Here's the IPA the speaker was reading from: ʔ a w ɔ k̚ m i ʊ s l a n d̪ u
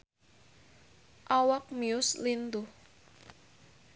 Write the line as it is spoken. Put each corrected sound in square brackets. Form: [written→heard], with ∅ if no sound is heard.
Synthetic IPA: ʔ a w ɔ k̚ m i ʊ s l [a→i] n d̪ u